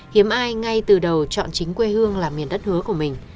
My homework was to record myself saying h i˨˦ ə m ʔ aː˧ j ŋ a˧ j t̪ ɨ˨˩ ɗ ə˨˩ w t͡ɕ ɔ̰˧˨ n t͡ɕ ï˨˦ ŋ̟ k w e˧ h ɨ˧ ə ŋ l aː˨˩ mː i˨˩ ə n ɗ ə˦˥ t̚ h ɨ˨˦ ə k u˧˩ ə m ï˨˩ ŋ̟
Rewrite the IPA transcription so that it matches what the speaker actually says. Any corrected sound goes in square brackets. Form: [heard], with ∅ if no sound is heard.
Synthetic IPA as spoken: h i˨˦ ə m ʔ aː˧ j ŋ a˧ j t̪ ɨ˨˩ ɗ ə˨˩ w t͡ɕ ɔ̰˧˨ n t͡ɕ ï˨˦ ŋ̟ k w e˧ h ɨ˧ ə ŋ l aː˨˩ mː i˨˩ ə n ɗ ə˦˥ t̚ h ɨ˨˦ ə k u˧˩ ə m ï˨˩ ŋ̟